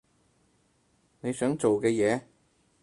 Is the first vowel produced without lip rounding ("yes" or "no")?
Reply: yes